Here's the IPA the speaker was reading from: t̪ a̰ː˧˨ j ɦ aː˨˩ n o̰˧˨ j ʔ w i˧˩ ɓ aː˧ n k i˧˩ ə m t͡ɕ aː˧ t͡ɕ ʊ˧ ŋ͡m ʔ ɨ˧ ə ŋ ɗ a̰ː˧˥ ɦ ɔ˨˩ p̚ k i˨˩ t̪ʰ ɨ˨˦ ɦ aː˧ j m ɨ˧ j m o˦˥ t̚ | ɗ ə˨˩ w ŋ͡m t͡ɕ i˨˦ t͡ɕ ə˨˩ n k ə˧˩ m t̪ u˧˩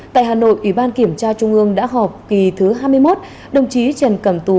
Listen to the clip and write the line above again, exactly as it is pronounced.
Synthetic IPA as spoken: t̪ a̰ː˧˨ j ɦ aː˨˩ n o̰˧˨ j ʔ w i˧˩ ɓ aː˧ n k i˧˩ ə m t͡ɕ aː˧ t͡ɕ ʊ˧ ŋ͡m ʔ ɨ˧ ə ŋ ɗ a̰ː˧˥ ɦ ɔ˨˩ p̚ k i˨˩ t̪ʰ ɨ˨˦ ɦ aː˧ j m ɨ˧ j m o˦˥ t̚ | ɗ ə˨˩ w ŋ͡m t͡ɕ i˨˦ t͡ɕ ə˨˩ n k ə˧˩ m t̪ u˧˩